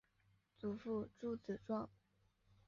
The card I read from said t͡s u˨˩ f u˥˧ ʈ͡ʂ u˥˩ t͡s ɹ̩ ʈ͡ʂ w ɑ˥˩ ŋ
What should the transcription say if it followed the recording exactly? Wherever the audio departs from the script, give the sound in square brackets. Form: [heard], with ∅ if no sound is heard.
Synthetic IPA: t͡s u˨˩ f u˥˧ ʈ͡ʂ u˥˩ t͡s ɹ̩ ʈ͡ʂ w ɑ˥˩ ŋ